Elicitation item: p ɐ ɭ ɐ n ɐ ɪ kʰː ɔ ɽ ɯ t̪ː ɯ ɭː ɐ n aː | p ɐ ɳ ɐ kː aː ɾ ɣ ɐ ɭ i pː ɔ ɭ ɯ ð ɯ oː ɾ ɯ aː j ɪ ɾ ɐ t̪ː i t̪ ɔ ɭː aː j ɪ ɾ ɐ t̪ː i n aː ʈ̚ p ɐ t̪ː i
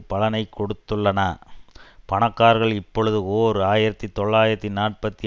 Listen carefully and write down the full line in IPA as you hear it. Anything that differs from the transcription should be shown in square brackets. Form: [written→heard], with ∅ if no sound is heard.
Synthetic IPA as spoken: p ɐ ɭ ɐ n ɐ ɪ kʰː ɔ ɽ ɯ t̪ː ɯ ɭː ɐ n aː | p ɐ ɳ ɐ kː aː ɾ ɣ ɐ ɭ [i→ɪ] pː ɔ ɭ ɯ ð ɯ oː ɾ ɯ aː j ɪ ɾ ɐ t̪ː i t̪ ɔ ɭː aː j ɪ ɾ ɐ t̪ː i n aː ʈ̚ p ɐ t̪ː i